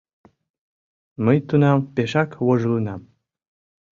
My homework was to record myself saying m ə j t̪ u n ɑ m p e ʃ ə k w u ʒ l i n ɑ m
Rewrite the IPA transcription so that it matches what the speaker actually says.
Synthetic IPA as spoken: m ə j t̪ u n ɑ m p e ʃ ɑ k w o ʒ l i n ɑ m